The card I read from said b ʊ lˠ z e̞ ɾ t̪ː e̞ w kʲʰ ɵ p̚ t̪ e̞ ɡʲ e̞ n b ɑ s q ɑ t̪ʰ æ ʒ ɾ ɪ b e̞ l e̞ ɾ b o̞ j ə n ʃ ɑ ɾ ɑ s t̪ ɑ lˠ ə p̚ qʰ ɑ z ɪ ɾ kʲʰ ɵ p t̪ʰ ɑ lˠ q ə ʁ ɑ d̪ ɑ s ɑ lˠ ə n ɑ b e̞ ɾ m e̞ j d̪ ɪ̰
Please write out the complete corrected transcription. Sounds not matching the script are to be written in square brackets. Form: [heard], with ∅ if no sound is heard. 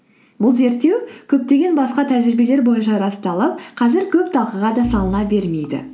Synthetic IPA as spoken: b ʊ lˠ z e̞ ɾ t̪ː e̞ w kʲʰ ɵ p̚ t̪ e̞ ɡʲ e̞ n b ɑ s q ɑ t̪ʰ æ ʒ ɾ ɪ b e̞ l e̞ ɾ b o̞ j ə n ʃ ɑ ɾ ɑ s t̪ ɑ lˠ ə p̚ qʰ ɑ z ɪ ɾ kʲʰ ɵ p t̪ʰ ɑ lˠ q ə ʁ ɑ d̪ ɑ s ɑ lˠ ə n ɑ b e̞ ɾ m e̞ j d̪ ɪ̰